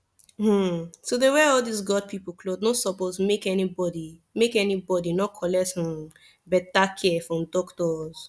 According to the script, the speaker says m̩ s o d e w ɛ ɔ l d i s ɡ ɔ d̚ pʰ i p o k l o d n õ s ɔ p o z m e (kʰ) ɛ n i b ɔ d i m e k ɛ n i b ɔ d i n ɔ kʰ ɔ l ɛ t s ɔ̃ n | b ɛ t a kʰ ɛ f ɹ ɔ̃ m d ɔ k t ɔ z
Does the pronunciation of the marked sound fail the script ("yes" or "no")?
yes